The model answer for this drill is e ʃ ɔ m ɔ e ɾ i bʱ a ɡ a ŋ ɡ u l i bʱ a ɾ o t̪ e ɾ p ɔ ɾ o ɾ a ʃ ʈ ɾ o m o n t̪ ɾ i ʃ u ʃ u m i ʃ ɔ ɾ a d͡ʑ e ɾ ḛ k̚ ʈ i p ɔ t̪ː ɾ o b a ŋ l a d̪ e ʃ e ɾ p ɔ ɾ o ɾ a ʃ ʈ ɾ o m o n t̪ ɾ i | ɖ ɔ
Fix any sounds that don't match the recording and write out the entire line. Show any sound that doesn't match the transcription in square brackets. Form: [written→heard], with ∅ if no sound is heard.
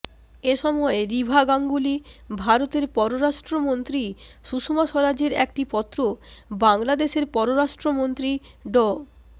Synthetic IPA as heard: e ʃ ɔ m ɔ e ɾ i bʱ a ɡ a ŋ ɡ u l i bʱ a ɾ o t̪ e ɾ p ɔ ɾ o ɾ a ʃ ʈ ɾ o m o n t̪ ɾ i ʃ u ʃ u m [i→a] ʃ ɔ ɾ a d͡ʑ e ɾ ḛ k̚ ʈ i p ɔ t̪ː ɾ o b a ŋ l a d̪ e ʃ e ɾ p ɔ ɾ o ɾ a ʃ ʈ ɾ o m o n t̪ ɾ i | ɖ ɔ

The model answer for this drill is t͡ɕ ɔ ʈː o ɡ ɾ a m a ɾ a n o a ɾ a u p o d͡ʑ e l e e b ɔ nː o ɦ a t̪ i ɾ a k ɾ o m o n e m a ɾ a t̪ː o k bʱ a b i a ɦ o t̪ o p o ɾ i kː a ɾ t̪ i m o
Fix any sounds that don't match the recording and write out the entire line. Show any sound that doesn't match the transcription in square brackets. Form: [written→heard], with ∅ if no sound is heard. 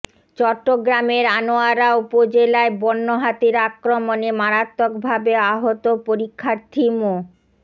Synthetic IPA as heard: t͡ɕ ɔ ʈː o ɡ ɾ a m [a→e] ɾ a n o a ɾ a u p o d͡ʑ e l [e→a] e b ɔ nː o ɦ a t̪ i ɾ a k ɾ o m o n e m a ɾ a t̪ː o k bʱ a b [i→e] a ɦ o t̪ o p o ɾ i [kː→kʰː] a ɾ [t̪→t̪ʰ] i m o

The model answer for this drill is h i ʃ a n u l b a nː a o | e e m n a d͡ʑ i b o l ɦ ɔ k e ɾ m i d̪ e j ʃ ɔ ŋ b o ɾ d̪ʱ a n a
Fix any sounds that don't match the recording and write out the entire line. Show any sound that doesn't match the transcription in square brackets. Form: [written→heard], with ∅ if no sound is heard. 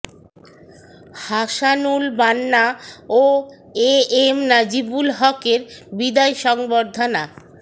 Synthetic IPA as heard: h [i→a] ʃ a n u l b a nː a o | e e m n a d͡ʑ i b [o→u] l ɦ ɔ k e ɾ [m→b] i d̪ [e→a] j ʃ ɔ ŋ b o ɾ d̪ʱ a n a

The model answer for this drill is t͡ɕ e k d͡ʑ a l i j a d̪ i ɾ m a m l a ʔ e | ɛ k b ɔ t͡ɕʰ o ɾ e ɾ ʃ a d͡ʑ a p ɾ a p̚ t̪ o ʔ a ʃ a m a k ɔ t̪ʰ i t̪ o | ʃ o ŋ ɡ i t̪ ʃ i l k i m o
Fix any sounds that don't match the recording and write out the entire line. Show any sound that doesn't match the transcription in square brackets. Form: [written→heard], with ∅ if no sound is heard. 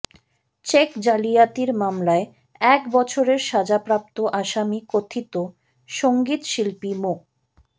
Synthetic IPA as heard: t͡ɕ e k d͡ʑ a l i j a [d̪→t̪] i ɾ m a m l a [ʔ→∅] e | ɛ k b ɔ t͡ɕʰ o ɾ e ɾ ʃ a d͡ʑ a p ɾ a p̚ t̪ o ʔ a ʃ a m [a→i] k [ɔ→o] t̪ʰ i t̪ o | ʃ o ŋ ɡ i t̪ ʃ i l [k→p] i m o

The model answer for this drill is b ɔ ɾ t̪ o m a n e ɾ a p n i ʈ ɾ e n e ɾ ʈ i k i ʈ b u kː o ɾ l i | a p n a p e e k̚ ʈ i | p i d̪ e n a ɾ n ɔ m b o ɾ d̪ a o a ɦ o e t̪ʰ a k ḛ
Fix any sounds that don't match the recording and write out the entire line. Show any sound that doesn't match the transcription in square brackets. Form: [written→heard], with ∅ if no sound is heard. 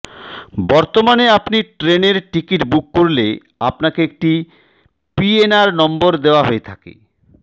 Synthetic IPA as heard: b ɔ ɾ t̪ o m a n e [ɾ→∅] a p n i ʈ ɾ e n e ɾ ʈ i k i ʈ b u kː o ɾ l [i→e] | a p n a [p→k] e e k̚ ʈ i | p i [d̪→∅] e n a ɾ n ɔ m b o ɾ d̪ [a→e] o a ɦ o e t̪ʰ a k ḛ

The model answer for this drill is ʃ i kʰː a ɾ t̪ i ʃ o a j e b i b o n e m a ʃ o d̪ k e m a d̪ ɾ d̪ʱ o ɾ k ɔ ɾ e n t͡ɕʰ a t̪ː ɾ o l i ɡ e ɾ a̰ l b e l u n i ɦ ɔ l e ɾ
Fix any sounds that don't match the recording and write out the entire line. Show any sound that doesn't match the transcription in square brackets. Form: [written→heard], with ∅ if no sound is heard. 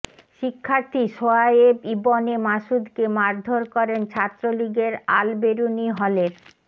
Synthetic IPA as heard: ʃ i kʰː a ɾ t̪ i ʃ o a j e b i b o n e m a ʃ [o→u] d̪ k e m a [d̪→∅] ɾ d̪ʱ o ɾ k ɔ ɾ e n t͡ɕʰ a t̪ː ɾ o l i ɡ e ɾ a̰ l b e [l→ɾ] u n i ɦ ɔ l e ɾ

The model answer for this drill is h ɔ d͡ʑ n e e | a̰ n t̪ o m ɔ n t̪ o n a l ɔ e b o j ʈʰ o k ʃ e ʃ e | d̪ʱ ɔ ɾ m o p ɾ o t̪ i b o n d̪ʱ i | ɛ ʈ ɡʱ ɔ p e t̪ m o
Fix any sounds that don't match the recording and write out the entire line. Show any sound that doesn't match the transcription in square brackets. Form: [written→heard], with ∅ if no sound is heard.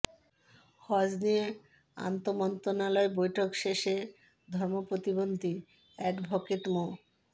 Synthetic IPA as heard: h ɔ d͡ʑ n [e→i] e | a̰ n t̪ o m ɔ n t̪ o n a l ɔ e b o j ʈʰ o k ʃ e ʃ e | d̪ʱ ɔ ɾ m o p ɾ o t̪ i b o n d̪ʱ i | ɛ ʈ [ɡʱ→bʱ] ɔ [p→k] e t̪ m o

